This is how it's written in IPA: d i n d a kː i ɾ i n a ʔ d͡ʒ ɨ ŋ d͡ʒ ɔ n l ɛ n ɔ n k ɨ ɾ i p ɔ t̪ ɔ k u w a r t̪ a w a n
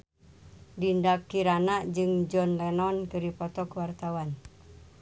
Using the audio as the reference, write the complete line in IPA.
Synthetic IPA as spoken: d i n d a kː i ɾ a n a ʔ d͡ʒ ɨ ŋ d͡ʒ ɔ n l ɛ n ɔ n k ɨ ɾ i p ɔ t̪ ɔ k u w a r t̪ a w a n